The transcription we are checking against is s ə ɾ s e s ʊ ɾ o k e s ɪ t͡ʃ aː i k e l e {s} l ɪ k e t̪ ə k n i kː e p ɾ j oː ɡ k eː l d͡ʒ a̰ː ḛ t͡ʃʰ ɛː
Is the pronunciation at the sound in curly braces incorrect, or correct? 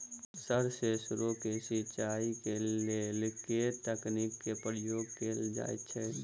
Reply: incorrect